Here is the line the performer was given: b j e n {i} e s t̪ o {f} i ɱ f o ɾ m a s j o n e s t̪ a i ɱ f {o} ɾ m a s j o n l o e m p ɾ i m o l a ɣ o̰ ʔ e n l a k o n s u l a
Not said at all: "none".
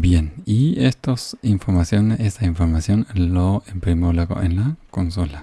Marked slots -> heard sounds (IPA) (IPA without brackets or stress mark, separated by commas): i, s, o